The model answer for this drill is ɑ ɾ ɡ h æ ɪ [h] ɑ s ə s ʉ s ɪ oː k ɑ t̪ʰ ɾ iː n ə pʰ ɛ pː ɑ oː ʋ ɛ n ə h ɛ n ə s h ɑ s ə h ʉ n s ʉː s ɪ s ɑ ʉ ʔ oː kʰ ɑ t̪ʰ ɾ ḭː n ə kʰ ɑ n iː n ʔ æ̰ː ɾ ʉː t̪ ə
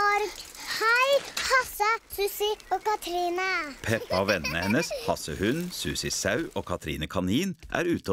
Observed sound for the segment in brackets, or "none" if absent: h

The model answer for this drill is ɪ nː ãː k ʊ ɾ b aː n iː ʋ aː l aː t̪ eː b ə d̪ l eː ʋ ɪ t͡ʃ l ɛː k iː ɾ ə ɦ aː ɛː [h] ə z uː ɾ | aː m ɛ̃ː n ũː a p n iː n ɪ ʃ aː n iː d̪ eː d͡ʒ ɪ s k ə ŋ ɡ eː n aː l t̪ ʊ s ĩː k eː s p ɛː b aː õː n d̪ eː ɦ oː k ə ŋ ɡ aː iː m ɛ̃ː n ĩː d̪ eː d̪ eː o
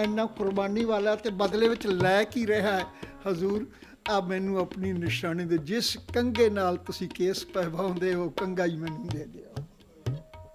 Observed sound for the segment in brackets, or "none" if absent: h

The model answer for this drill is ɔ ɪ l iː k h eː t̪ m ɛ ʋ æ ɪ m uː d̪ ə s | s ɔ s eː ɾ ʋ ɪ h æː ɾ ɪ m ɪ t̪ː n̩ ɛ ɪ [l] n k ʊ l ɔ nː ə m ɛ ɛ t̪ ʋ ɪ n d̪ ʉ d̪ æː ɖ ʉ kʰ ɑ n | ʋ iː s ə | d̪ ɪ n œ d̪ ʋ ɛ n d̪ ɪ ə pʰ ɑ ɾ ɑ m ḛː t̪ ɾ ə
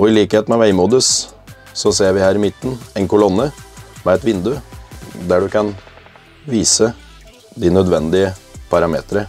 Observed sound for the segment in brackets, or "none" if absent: none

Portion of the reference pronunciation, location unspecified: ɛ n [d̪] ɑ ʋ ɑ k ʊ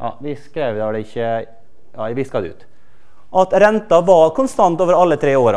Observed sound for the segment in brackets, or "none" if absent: t̪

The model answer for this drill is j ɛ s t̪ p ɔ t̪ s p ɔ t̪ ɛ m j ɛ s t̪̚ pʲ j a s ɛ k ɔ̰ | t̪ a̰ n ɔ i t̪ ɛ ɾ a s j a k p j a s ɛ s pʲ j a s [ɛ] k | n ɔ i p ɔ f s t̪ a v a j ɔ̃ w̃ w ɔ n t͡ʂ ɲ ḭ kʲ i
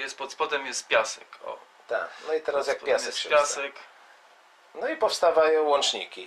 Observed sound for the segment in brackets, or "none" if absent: ɛ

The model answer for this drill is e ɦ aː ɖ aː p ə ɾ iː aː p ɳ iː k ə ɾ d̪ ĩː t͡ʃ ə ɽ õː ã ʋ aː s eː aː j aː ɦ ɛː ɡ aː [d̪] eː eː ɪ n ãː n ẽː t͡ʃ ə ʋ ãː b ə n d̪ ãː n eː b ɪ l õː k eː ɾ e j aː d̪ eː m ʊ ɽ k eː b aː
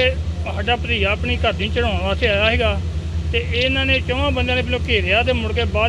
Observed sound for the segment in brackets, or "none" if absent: t̪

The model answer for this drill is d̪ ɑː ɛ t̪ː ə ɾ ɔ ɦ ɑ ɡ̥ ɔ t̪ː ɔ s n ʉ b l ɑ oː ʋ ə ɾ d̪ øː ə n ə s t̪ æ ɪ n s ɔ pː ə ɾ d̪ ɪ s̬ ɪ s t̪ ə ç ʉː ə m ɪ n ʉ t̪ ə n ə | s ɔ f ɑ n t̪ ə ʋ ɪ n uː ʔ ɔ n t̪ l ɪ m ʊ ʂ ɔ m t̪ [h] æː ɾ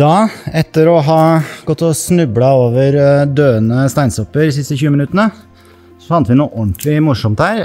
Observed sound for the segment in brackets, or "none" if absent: h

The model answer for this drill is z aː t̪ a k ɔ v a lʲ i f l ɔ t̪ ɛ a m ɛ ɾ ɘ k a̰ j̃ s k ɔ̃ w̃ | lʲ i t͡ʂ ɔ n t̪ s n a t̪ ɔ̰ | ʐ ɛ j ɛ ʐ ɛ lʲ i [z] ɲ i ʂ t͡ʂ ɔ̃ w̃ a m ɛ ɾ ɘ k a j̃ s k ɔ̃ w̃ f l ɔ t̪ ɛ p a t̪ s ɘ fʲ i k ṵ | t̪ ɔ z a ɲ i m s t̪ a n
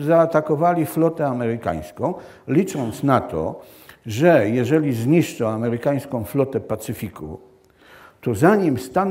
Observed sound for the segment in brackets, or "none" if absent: z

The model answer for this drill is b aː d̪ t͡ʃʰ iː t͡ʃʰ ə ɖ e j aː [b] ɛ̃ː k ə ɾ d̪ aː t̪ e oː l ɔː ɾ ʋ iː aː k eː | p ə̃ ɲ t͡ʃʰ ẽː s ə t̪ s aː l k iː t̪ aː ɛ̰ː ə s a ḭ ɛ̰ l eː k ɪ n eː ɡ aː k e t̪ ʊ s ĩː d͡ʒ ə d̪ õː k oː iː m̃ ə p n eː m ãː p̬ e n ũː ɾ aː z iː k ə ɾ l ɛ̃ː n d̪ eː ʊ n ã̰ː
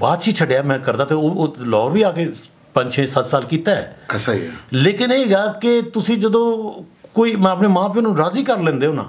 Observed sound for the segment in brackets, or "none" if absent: m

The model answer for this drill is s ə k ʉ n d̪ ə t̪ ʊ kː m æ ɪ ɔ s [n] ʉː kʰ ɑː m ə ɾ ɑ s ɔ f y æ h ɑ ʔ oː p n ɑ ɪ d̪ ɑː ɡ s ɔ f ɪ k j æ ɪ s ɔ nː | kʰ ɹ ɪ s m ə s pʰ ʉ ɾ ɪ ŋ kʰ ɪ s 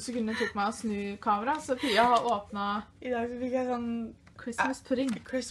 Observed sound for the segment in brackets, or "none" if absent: n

